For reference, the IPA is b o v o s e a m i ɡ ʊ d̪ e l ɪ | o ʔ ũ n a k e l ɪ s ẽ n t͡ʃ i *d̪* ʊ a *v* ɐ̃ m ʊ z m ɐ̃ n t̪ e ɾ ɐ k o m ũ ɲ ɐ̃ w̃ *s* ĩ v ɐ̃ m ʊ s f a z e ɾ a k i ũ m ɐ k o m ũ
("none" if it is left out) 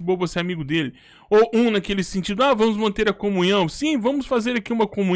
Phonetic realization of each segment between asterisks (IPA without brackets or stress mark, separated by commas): d̪, v, s